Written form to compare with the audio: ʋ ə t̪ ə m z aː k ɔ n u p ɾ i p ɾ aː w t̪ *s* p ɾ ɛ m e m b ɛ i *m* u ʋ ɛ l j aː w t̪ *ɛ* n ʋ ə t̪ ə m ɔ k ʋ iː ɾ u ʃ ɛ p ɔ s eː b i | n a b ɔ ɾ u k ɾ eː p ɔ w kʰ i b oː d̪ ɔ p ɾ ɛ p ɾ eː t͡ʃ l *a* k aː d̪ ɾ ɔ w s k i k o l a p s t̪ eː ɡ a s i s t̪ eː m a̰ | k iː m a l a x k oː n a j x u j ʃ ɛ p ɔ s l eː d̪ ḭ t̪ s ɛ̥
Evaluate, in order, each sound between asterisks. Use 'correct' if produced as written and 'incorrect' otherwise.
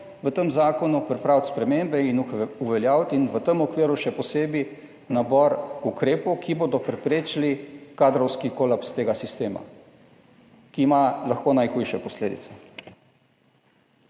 correct, incorrect, incorrect, incorrect

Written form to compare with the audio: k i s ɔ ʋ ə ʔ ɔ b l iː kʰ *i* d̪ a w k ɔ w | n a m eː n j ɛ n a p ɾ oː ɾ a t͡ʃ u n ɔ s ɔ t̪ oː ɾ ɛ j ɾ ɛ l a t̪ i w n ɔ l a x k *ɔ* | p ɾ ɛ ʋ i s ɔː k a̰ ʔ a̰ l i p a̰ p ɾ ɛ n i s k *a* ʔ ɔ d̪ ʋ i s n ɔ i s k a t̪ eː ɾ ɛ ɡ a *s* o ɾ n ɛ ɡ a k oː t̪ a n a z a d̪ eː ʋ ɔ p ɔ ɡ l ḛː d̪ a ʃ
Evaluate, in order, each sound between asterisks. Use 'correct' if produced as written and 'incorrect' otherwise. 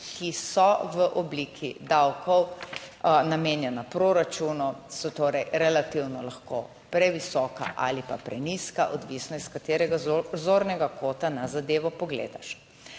correct, incorrect, correct, incorrect

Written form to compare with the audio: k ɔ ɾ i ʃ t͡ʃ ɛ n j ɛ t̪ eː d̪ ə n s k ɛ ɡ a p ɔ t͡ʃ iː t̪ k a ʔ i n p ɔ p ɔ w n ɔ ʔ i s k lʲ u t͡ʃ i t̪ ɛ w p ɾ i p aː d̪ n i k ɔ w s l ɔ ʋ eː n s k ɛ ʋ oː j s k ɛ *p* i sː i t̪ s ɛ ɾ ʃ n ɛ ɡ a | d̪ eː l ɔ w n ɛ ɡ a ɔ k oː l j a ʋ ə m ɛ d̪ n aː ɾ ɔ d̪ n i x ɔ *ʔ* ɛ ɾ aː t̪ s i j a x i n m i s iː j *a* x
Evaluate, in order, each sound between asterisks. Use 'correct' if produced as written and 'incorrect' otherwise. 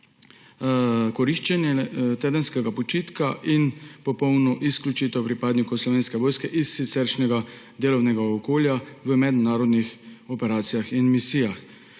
incorrect, incorrect, correct

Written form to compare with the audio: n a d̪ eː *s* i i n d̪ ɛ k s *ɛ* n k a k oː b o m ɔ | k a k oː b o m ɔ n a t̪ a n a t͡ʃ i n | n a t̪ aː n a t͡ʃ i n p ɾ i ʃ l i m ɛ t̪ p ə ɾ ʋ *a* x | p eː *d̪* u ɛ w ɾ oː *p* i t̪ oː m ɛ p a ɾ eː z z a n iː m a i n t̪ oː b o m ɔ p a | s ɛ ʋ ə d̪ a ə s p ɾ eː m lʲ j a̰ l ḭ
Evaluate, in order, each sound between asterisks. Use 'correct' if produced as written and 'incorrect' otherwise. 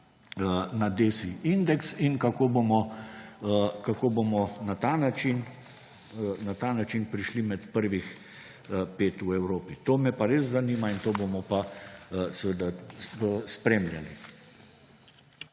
correct, incorrect, incorrect, incorrect, correct

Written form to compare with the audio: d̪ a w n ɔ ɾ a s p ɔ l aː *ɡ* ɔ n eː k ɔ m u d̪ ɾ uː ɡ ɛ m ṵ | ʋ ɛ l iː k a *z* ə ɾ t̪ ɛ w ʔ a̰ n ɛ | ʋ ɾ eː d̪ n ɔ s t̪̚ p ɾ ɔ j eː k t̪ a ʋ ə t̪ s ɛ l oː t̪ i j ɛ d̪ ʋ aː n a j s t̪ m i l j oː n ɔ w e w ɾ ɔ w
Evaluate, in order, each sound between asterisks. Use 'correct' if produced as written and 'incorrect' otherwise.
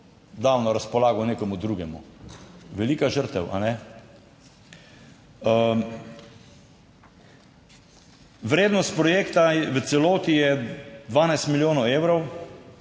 correct, incorrect

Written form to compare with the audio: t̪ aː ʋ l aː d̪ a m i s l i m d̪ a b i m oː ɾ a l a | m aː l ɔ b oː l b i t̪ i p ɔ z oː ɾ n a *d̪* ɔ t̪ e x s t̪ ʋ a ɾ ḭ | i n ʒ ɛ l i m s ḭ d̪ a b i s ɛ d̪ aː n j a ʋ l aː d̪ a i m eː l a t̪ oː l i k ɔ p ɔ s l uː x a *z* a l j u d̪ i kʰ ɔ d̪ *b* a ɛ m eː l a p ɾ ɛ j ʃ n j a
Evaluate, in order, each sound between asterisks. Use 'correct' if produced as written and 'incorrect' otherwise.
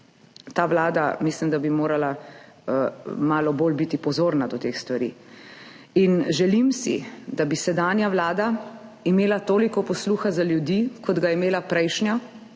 correct, correct, incorrect

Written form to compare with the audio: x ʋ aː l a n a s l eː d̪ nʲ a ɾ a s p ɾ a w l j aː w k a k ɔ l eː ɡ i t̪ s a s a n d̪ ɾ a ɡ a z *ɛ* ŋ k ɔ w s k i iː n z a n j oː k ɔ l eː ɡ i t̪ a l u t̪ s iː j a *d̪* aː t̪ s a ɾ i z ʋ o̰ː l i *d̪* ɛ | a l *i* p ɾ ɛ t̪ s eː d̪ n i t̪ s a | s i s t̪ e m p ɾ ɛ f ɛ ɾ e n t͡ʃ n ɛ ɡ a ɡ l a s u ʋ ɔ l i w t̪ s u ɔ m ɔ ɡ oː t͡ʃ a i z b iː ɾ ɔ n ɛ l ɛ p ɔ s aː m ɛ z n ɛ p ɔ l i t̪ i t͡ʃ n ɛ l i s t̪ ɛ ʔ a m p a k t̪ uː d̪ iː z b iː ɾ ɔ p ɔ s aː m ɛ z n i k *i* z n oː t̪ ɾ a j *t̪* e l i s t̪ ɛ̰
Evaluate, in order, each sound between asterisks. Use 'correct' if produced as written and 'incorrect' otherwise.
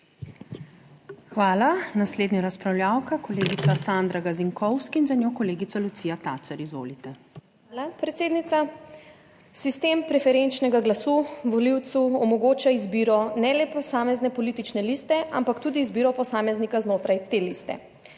incorrect, incorrect, incorrect, incorrect, incorrect, correct

